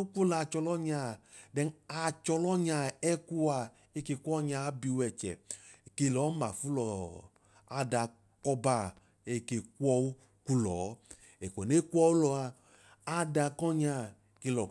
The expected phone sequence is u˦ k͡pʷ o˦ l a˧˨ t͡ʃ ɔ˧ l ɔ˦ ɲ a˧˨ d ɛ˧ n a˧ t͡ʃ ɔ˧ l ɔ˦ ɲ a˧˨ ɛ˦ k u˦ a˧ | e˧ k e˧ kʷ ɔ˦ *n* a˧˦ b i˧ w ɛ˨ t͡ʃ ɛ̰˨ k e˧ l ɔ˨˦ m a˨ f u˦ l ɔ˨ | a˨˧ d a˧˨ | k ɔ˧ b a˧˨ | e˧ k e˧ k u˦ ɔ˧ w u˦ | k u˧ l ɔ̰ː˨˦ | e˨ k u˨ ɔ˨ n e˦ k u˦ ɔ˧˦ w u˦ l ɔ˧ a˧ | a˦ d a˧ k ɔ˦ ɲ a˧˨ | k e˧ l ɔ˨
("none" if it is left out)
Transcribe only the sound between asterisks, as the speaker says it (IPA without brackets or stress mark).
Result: ɲ